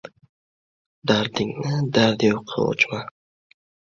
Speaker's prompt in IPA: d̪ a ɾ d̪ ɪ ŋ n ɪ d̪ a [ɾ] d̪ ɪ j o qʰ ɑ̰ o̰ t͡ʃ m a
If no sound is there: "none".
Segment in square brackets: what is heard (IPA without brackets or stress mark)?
ɾ